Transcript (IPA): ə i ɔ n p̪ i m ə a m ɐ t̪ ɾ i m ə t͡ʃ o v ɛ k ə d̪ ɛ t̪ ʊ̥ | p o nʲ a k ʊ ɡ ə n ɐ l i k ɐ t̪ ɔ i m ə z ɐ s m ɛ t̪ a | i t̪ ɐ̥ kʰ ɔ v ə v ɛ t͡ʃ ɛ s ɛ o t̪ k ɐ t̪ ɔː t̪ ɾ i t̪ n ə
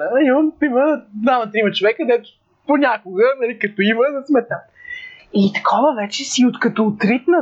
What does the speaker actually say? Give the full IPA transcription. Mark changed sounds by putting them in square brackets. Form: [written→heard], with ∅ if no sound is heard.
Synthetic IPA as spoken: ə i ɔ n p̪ i m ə a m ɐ t̪ ɾ i m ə t͡ʃ o v ɛ k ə d̪ ɛ t̪ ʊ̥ | p o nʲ a k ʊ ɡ ə n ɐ l i k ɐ t̪ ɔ i m ə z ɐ s m ɛ t̪ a | i t̪ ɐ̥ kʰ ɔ v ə v ɛ t͡ʃ ɛ s [ɛ→i] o t̪ k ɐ t̪ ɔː t̪ ɾ i t̪ n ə